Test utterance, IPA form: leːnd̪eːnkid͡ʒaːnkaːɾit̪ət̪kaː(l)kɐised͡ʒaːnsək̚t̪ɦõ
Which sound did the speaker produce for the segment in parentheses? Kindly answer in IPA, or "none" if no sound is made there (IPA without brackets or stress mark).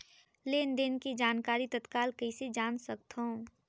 l